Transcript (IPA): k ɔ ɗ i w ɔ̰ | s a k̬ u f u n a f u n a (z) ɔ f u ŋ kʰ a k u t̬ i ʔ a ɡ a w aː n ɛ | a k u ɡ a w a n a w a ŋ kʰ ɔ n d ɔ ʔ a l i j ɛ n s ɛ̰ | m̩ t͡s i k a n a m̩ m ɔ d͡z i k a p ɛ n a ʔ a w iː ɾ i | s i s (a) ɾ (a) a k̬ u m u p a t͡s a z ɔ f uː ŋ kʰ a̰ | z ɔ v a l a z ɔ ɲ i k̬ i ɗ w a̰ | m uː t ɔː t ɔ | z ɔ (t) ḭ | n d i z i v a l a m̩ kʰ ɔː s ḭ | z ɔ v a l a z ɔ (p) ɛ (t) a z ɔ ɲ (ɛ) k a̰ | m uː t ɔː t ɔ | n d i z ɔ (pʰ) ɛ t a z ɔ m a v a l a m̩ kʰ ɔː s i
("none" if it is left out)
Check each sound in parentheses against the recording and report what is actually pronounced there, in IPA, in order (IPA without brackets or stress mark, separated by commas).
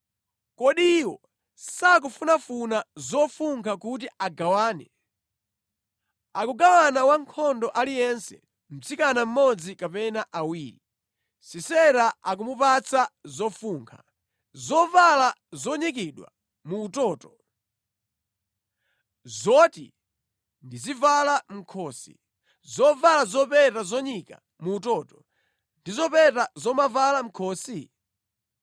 z, ɛ, a, t, p, t, i, p